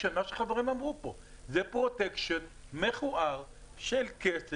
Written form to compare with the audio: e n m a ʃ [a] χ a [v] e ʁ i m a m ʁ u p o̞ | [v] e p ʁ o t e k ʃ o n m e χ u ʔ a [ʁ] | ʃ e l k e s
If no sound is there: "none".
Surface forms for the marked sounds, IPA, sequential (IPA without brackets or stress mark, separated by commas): e, v, z, ʁ